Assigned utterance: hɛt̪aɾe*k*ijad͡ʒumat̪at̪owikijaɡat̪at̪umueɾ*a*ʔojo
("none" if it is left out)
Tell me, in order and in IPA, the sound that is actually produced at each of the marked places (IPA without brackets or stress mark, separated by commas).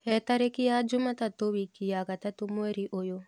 k, i